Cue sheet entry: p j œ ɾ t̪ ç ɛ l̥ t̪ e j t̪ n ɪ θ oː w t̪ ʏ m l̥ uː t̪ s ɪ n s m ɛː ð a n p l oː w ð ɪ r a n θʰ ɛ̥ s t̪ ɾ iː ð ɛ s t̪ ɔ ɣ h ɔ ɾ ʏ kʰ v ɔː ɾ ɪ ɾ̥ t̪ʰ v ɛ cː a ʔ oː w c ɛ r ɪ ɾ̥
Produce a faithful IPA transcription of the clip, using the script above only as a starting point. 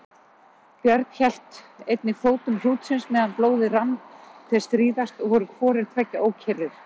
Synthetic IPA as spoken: p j œ ɾ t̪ ç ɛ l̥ t̪ e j t̪ n ɪ f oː w t̪ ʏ m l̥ uː t̪ s ɪ n s m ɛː ð a n p l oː w ð ɪ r a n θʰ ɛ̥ s t̪ ɾ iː ð a s t̪ ɔ ɣ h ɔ ɾ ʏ kʰ v ɔː ɾ ɪ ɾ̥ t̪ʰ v ɛ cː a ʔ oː w cʰ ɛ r ɪ ɾ̥